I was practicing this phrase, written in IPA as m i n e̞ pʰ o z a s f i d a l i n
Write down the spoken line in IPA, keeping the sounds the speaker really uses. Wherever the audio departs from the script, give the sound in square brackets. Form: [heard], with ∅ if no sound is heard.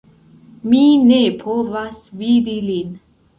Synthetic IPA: m i n e̞ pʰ o [v] a s [v] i d [i] l i n